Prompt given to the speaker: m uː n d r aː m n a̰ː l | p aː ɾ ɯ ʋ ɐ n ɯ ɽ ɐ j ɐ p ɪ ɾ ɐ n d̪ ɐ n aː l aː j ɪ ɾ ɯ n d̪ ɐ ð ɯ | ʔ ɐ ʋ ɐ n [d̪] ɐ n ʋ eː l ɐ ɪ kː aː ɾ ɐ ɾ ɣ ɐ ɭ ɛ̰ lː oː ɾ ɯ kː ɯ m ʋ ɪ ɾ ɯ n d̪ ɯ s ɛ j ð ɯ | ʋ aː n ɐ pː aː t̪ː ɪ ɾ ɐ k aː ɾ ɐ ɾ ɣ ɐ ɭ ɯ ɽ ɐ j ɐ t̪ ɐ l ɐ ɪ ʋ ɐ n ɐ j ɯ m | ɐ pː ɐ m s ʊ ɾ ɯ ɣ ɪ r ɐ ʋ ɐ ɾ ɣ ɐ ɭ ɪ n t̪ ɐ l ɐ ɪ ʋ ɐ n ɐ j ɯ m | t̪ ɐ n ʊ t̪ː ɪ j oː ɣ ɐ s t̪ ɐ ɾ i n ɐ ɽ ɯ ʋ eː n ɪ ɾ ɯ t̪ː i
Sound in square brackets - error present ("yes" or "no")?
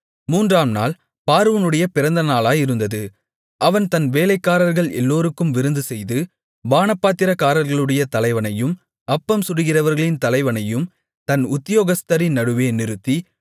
yes